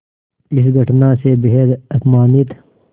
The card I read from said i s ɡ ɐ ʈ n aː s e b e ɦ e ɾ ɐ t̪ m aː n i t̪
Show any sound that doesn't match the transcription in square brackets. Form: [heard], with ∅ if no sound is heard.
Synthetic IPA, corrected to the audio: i s ɡ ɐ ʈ n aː s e b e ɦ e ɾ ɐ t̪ m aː n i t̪